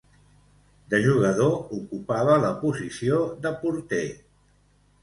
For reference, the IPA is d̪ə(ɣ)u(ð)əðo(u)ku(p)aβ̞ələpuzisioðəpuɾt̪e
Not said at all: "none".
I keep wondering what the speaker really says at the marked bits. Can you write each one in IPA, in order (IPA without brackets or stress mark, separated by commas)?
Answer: ʒ, ɣ, u, p